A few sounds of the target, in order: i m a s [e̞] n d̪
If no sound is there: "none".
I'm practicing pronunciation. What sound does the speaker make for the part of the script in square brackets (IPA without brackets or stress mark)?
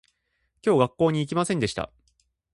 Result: ẽ̞